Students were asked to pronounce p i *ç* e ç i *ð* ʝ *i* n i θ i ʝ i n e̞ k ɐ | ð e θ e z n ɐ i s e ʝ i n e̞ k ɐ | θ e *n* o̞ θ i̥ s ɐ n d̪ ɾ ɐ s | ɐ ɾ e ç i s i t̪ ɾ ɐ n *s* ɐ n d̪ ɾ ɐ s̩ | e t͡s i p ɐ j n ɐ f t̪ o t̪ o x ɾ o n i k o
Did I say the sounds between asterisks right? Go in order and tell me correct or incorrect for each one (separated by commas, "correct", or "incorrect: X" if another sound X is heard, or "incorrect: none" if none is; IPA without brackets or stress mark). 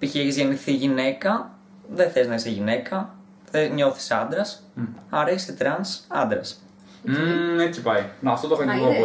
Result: correct, incorrect: z, incorrect: e, incorrect: ɲ, correct